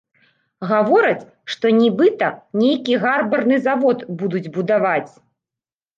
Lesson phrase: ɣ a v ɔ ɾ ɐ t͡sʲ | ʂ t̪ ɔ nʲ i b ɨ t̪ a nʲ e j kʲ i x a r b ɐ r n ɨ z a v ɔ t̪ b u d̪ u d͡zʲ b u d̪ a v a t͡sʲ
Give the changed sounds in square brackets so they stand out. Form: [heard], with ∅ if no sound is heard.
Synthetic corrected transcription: ɣ a v ɔ ɾ ɐ t͡sʲ | ʂ t̪ ɔ nʲ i b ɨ t̪ [ɐ] nʲ e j kʲ i [ɣ] a r b ɐ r n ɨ z a v ɔ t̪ b u d̪ u d͡zʲ b u d̪ a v a t͡sʲ